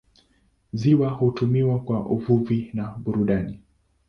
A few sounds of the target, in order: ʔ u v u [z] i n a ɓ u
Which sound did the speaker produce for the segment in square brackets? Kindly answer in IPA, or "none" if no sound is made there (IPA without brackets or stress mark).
v